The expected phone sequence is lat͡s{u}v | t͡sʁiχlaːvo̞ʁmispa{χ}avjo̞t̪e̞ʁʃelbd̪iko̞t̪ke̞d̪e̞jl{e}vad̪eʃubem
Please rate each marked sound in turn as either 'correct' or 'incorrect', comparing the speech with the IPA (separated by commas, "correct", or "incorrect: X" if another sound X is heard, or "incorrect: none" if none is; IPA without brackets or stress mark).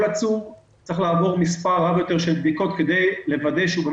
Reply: correct, incorrect: ʁ, correct